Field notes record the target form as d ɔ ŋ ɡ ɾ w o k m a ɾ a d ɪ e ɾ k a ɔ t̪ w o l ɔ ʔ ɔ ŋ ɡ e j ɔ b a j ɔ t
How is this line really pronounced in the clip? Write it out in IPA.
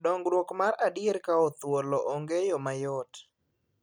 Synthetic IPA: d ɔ ŋ ɡ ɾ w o k m a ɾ a d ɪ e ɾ k a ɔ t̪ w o l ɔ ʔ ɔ ŋ ɡ e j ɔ m a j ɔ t